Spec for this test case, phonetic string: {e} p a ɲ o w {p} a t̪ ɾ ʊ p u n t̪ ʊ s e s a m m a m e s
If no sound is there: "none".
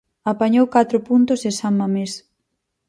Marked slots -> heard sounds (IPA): a, k

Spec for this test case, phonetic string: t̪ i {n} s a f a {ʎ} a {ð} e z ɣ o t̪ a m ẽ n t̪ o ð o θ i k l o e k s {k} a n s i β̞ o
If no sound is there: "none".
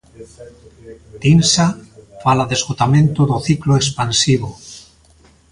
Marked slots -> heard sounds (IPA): n, l, ð, p

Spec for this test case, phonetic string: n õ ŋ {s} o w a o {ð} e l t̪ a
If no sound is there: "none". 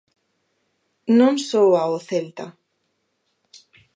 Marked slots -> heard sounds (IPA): s, θ

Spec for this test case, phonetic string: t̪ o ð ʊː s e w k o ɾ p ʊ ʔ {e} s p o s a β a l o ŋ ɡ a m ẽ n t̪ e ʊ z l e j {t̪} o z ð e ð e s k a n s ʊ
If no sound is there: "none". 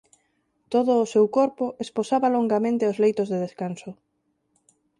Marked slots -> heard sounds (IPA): e, t̪

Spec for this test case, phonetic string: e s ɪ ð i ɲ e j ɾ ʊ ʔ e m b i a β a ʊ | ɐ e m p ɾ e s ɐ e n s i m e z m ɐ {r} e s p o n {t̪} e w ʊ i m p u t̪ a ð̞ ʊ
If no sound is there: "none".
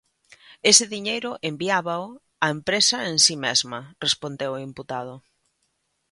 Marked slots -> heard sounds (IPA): r, d̪

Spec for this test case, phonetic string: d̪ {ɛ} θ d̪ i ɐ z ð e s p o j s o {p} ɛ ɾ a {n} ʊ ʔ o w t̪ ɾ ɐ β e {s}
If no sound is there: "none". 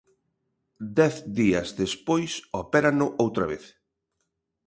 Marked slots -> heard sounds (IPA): ɛ, p, n, θ

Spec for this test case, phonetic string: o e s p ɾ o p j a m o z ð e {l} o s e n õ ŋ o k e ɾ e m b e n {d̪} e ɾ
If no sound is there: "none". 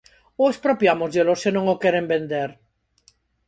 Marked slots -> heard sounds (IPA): l, d̪

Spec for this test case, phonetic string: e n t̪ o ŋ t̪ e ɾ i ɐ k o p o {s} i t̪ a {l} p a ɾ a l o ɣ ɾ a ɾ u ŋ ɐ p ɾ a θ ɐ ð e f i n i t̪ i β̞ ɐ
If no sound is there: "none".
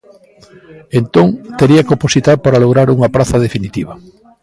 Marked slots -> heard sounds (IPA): s, ɾ

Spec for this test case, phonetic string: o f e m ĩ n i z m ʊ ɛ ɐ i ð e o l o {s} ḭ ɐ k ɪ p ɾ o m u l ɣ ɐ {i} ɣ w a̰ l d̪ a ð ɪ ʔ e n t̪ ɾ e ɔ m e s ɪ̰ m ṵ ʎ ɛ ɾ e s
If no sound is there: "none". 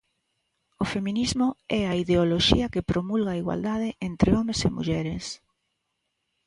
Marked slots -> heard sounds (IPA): ʃ, i

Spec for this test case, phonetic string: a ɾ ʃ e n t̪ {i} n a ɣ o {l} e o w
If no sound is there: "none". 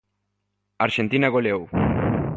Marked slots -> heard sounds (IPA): i, l

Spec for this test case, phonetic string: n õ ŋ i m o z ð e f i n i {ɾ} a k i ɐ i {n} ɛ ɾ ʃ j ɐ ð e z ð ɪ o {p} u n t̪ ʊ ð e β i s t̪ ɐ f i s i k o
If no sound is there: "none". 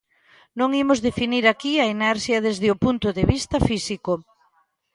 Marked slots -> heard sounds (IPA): ɾ, n, p

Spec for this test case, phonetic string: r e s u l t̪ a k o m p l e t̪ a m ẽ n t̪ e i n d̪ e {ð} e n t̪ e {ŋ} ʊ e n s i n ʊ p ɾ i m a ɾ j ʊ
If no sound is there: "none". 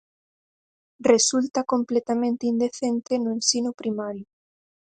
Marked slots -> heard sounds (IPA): θ, n

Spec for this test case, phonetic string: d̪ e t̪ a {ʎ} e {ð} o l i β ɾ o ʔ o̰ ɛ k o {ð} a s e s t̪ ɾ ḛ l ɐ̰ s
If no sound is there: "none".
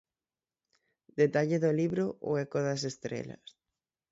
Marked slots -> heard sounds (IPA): ʎ, ð, ð

